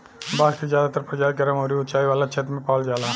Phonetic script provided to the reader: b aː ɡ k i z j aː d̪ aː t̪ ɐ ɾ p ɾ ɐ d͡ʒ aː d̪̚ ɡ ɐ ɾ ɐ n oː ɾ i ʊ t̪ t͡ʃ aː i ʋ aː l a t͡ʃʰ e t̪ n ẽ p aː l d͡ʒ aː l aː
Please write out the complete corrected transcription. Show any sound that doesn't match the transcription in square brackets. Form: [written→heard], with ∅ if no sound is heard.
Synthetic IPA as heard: b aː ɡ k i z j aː d̪ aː t̪ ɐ ɾ p ɾ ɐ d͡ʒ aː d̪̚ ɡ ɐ ɾ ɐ [n→m] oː ɾ i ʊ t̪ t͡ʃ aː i ʋ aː l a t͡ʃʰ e t̪ [n→m] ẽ p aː l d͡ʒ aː l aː